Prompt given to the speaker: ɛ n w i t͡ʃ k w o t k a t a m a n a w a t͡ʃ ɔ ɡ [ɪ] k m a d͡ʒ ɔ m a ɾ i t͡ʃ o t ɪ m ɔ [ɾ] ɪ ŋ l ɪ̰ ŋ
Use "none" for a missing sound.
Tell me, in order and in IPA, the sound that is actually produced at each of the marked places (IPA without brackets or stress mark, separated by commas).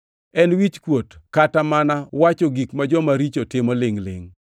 i, l